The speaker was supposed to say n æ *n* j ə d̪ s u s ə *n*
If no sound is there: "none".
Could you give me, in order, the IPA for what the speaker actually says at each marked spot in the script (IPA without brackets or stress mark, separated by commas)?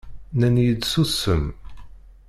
n, m